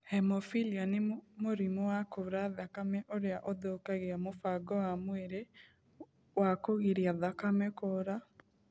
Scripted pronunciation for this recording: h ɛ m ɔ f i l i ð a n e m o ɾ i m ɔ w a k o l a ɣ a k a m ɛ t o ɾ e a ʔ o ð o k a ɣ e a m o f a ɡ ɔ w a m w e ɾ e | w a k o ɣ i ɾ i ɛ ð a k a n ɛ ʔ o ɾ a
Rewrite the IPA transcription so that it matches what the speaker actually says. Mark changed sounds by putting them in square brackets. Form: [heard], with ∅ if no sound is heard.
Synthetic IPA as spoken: h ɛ m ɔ f i l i [∅] a n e m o ɾ i m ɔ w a k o [ɾ] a [ð] a k a m ɛ [ʔ] o ɾ e a ʔ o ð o k a ɣ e a m o f a ɡ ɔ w a m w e ɾ e | w a k o ɣ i ɾ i [a] ð a k a [m] ɛ [k] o ɾ a